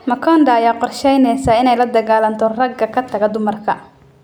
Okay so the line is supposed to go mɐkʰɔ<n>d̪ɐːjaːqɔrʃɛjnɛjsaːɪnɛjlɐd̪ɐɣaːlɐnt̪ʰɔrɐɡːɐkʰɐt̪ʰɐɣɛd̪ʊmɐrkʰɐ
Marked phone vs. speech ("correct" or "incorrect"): correct